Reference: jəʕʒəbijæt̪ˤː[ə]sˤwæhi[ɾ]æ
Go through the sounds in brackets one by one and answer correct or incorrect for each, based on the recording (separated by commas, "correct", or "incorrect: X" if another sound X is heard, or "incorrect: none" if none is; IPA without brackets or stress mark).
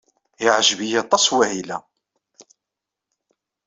incorrect: ɑ, incorrect: l